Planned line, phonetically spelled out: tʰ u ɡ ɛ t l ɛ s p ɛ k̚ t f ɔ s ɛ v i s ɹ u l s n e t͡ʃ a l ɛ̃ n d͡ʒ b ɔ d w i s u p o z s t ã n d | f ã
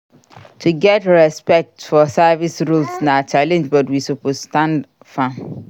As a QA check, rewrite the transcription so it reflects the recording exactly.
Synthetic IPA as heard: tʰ u ɡ ɛ t ɹ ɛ s p ɛ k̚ t f ɔ s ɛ v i s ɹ u l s n a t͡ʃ a l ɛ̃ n d͡ʒ b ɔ t w i s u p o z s t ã n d | f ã